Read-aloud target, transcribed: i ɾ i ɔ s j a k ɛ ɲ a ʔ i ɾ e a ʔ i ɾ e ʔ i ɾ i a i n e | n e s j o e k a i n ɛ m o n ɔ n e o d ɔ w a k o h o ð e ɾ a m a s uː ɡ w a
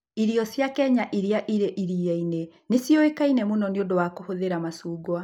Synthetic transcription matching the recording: i ɾ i ɔ s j a k ɛ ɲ a ʔ i ɾ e a ʔ i ɾ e ʔ i ɾ i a i n e | n e s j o e k a i n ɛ m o n ɔ n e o d o w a k o h o ð e ɾ a m a s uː ɡ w a